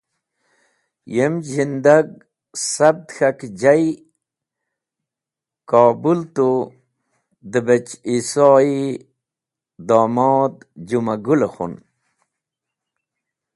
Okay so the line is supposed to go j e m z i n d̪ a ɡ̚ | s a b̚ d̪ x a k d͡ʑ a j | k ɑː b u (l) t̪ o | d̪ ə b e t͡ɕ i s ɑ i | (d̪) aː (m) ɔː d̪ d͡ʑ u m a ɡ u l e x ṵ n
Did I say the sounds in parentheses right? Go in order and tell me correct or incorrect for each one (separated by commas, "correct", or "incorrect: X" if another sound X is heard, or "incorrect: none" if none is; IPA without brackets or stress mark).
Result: correct, correct, correct